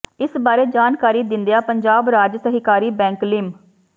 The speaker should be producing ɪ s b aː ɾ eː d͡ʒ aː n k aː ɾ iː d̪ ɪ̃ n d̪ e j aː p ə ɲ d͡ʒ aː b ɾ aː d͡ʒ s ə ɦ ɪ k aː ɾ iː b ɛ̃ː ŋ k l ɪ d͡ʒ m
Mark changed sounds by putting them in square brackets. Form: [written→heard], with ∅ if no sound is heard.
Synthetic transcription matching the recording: ɪ s b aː ɾ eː d͡ʒ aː n k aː ɾ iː d̪ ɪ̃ n d̪ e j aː p ə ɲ d͡ʒ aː b ɾ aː d͡ʒ s ə ɦ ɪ k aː ɾ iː b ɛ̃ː ŋ k l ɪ [d͡ʒ→∅] m